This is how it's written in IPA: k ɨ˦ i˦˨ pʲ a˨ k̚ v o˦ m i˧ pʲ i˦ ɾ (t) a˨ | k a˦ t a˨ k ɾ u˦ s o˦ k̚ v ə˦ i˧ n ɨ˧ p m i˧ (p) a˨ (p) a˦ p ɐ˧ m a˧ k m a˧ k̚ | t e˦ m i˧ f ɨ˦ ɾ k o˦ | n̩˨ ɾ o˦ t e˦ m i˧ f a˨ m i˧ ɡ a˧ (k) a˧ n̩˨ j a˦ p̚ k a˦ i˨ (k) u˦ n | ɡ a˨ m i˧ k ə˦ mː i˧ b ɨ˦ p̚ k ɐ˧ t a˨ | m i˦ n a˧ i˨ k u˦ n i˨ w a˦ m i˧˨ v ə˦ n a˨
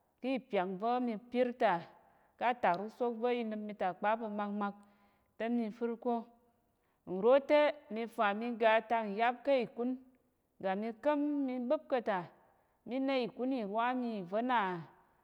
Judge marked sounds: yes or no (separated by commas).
yes, no, no, no, yes